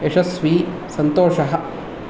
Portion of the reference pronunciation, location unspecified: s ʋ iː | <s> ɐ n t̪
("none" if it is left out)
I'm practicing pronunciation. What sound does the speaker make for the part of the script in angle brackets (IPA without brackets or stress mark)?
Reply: s